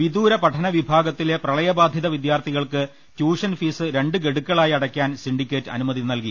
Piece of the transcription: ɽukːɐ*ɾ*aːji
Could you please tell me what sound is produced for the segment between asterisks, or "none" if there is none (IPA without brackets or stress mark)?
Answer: ɭ